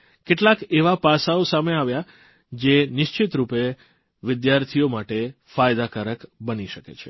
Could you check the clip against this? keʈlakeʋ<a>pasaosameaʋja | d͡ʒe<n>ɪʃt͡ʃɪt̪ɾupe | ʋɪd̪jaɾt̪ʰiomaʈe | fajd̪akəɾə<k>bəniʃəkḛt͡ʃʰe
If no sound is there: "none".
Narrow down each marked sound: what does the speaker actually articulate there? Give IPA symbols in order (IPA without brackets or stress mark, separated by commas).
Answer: a, n, k